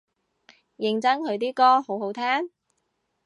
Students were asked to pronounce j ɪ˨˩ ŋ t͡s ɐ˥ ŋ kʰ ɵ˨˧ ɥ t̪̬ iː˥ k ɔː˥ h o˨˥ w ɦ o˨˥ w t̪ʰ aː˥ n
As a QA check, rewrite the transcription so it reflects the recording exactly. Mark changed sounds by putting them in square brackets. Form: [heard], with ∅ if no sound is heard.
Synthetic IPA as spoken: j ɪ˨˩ ŋ t͡s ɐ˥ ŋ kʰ ɵ˨˧ ɥ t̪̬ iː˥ k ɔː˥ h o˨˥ w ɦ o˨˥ w t̪ʰ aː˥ n